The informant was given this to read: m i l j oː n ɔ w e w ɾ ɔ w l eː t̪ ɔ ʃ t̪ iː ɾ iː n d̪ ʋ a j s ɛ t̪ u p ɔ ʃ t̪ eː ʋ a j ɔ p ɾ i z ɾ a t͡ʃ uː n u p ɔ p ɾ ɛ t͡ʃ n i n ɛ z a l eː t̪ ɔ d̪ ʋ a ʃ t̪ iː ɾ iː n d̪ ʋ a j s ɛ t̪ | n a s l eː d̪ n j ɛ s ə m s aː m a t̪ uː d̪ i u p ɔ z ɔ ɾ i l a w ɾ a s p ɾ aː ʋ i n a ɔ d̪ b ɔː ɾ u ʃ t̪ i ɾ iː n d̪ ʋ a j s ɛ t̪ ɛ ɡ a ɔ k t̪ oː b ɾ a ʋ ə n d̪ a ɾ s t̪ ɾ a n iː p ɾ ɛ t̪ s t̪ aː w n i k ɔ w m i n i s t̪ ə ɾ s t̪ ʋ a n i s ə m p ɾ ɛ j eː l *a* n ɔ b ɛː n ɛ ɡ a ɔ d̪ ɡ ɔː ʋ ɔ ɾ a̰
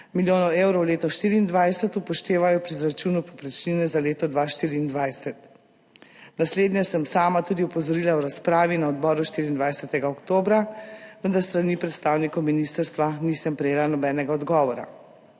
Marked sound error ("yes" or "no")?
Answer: no